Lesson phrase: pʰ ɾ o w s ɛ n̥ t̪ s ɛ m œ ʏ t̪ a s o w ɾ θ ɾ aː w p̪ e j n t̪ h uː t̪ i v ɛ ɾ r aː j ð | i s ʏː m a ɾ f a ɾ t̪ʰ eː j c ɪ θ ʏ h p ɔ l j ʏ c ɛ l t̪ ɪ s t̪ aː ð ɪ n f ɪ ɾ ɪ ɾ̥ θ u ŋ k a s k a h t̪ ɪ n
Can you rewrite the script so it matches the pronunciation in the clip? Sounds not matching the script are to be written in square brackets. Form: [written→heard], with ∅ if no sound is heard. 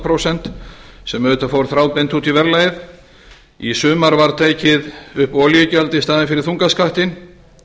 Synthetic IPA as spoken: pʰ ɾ o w s ɛ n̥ t̪ s ɛ m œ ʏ t̪ a [s→f] o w ɾ θ ɾ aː w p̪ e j n t̪ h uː t̪ i v ɛ ɾ [r→l] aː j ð | i s ʏː m a ɾ [f→v] a ɾ t̪ʰ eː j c ɪ [θ→ð] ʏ h p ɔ l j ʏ c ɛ l t̪ ɪ s t̪ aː ð ɪ n f ɪ ɾ ɪ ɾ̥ θ u ŋ k a s k a h t̪ ɪ n